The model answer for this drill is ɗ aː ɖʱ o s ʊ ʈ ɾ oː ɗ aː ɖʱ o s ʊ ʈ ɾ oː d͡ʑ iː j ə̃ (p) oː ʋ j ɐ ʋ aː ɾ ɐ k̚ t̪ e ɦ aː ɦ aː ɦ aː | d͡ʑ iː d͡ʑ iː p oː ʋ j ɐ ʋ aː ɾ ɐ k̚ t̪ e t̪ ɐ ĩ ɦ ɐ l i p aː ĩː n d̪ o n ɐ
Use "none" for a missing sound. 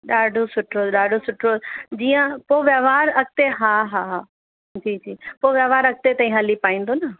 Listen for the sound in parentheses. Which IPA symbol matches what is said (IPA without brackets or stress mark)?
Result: p